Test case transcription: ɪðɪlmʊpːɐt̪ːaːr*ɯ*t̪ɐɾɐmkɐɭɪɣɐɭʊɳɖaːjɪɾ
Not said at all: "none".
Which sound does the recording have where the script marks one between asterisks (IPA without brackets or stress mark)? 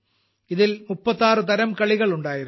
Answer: ɯ